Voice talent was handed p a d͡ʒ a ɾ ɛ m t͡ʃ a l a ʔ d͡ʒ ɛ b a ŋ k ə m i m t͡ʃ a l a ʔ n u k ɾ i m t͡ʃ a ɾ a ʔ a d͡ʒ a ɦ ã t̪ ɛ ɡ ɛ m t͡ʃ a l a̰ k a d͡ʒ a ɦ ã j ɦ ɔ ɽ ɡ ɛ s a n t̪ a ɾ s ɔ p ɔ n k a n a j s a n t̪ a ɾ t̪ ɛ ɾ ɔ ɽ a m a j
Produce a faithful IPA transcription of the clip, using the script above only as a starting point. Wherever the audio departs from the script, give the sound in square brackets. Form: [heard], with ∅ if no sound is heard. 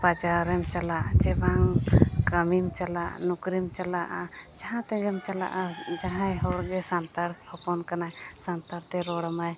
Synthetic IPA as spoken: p a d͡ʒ a ɾ ɛ m t͡ʃ a l a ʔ d͡ʒ ɛ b a ŋ k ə m i m t͡ʃ a l a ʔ n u k ɾ i m t͡ʃ a [l] a ʔ a d͡ʒ a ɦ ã t̪ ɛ ɡ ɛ m t͡ʃ a l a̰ [ʔ] a d͡ʒ a ɦ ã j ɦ ɔ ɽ ɡ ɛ s a n t̪ a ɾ [h] ɔ p ɔ n k a n a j s a n t̪ a ɾ t̪ ɛ ɾ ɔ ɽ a m a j

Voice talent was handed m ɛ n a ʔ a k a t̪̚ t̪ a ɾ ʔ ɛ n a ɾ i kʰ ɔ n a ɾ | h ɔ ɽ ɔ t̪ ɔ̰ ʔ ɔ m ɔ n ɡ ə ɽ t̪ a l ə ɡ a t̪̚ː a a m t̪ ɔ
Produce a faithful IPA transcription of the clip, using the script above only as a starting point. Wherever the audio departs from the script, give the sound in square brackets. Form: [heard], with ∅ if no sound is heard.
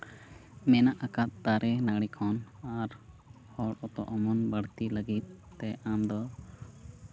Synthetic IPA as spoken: m ɛ n a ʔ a k a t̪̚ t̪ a ɾ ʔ ɛ n a [ɽ] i kʰ ɔ n a ɾ | h ɔ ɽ ɔ t̪ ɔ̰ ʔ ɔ m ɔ n [b] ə ɽ t̪ [i] l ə ɡ [i] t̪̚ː [ɛ] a m [d̪] ɔ

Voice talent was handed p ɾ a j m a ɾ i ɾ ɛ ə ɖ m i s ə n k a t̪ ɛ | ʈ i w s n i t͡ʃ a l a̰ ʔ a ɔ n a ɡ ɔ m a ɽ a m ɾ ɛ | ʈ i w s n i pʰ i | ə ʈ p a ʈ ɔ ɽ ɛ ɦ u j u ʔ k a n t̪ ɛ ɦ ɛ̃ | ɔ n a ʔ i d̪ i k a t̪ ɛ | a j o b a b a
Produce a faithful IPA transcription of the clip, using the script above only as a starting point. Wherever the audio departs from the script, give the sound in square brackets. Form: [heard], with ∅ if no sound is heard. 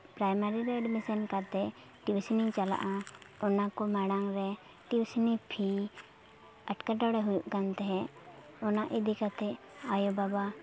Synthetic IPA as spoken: p ɾ a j m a ɾ i ɾ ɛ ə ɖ m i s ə n k a t̪ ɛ | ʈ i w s n i t͡ʃ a l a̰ ʔ a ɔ n a [k] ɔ m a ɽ a [ŋ] ɾ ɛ | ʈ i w s n i pʰ i | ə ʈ [k] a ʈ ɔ ɽ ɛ ɦ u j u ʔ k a n t̪ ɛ ɦ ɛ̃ | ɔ n a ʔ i d̪ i k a t̪ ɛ | a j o b a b a

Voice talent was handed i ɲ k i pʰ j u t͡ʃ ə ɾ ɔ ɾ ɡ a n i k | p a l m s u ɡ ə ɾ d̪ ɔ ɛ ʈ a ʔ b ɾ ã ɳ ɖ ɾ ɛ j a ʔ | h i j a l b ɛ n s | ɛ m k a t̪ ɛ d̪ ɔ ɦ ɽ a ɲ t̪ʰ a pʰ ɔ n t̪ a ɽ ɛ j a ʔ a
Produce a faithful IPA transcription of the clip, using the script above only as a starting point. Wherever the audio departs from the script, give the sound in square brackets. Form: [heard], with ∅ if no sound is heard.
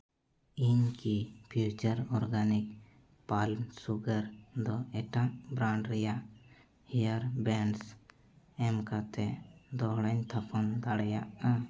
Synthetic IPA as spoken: i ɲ k i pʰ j u t͡ʃ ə ɾ ɔ ɾ ɡ a n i k | p a l m s u ɡ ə ɾ d̪ ɔ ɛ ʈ a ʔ b ɾ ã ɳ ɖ ɾ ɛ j a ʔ | h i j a [ɾ] b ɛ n s | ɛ m k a t̪ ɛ d̪ ɔ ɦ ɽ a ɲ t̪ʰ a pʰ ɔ n [d̪] a ɽ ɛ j a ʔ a

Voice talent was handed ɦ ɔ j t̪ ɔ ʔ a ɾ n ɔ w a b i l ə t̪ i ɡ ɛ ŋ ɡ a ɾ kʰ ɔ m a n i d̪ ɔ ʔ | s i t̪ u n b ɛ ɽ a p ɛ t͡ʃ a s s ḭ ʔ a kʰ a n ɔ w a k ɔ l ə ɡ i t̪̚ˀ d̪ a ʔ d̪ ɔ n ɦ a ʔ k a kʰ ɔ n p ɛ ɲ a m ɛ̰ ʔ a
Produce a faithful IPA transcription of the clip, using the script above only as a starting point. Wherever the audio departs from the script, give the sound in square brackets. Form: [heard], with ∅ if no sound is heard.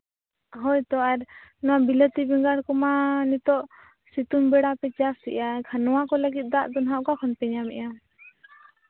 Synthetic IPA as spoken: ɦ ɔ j t̪ ɔ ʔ a ɾ n ɔ w a b i l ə t̪ i [b] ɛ ŋ ɡ a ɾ [k] ɔ m a n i [t̪] ɔ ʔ | s i t̪ u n b ɛ ɽ a p ɛ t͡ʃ a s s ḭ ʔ a kʰ a n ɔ w a k ɔ l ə ɡ i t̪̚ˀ d̪ a ʔ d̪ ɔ n ɦ a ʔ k a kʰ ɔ n p ɛ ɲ a m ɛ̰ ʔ a

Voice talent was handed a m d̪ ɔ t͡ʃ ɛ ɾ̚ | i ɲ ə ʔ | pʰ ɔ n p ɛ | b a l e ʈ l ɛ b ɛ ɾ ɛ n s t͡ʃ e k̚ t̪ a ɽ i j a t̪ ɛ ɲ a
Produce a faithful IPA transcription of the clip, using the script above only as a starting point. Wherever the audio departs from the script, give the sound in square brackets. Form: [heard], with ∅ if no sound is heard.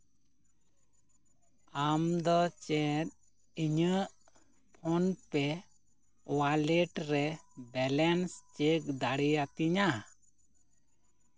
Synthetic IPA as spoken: a m d̪ ɔ t͡ʃ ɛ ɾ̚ | i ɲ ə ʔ | pʰ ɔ n p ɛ | [w] a l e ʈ [ɾ] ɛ b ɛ [l] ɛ n s t͡ʃ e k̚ [d̪] a ɽ i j a t̪ [i] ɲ a

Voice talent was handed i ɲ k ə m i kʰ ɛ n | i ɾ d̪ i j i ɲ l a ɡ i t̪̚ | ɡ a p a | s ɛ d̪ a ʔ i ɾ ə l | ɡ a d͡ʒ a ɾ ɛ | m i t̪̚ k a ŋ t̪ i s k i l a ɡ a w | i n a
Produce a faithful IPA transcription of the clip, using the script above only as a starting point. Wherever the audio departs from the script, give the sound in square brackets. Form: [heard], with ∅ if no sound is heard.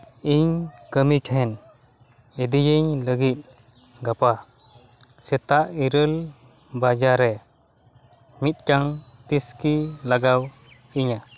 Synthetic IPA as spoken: i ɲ k ə m i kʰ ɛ n | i [∅] d̪ i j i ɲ l [ə] ɡ i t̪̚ | ɡ a p a | s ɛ [t̪] a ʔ i ɾ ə l | [b] a d͡ʒ a ɾ ɛ | m i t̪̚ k a ŋ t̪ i s k i l a ɡ a w | i [ɲ] a

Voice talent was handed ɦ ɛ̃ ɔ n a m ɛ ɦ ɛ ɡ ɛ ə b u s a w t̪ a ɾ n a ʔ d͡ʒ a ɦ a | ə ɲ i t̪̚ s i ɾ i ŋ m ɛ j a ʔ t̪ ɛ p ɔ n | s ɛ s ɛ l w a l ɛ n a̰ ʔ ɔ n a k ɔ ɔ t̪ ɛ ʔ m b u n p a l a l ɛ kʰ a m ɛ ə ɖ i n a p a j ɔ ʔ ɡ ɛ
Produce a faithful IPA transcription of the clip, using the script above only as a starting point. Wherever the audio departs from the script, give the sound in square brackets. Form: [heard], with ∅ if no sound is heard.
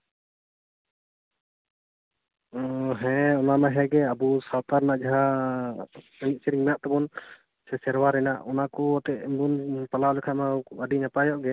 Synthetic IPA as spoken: ɦ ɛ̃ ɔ n a m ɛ ɦ ɛ ɡ ɛ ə b u s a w t̪ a ɾ n a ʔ d͡ʒ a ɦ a | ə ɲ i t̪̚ s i ɾ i ŋ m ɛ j a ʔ t̪ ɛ [b] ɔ n | s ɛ s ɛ [ɾ] w a [ɾ] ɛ n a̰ ʔ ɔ n a k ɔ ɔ t̪ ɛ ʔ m b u n p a l a l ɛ kʰ a m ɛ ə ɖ i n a p a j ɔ ʔ ɡ ɛ

